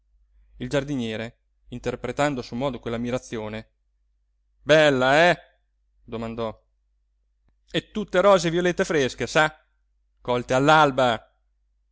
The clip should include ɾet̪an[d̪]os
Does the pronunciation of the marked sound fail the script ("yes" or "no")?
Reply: no